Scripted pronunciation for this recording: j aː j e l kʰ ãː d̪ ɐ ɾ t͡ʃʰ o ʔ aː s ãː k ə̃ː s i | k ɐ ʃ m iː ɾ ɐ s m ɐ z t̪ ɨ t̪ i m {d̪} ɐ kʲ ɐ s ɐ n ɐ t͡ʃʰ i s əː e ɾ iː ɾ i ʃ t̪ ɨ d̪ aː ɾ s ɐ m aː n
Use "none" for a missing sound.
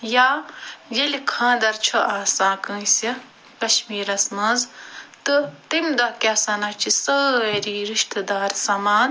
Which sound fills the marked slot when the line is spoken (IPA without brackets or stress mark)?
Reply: d̪